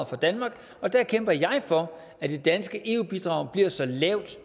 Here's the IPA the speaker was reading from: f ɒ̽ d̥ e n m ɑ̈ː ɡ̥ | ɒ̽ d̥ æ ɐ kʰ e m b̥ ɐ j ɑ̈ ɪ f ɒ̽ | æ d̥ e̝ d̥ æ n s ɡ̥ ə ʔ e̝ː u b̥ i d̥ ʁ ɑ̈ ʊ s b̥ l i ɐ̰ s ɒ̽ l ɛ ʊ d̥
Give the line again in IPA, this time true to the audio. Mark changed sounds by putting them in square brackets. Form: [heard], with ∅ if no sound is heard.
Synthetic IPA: f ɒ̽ d̥ [æ] n m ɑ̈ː ɡ̥ | ɒ̽ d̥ æ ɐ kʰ e m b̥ ɐ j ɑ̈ ɪ f ɒ̽ | æ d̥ e̝ d̥ æ n s ɡ̥ ə ʔ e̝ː u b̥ i d̥ ʁ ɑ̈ ʊ [∅] b̥ l i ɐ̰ s ɒ̽ l ɛ ʊ d̥